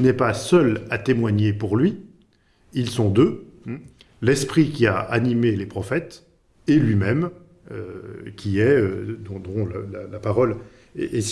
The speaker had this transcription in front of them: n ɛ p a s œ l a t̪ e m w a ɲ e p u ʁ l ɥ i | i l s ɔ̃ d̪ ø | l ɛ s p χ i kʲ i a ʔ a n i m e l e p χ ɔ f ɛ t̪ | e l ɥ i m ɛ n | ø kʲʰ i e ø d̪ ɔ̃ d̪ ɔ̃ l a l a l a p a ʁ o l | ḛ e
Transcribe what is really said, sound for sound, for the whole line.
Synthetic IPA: n ɛ p a s œ l a t̪ e m w a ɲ e p u ʁ l ɥ i | i l s ɔ̃ d̪ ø | l ɛ s p χ i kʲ i a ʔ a n i m e l e p χ ɔ f ɛ t̪ | e l ɥ i m ɛ m | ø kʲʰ i ɛ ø d̪ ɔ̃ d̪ ɔ̃ l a l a l a p a ʁ ɔ l | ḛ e